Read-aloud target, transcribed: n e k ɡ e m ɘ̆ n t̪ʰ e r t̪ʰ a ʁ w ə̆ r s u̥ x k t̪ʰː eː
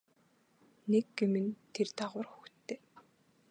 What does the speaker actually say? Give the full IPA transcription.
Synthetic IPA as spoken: n e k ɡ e m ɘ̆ n t̪ʰ e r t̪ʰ a ʁ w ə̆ r x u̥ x t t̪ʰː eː